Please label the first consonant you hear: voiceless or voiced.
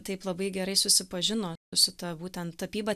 voiceless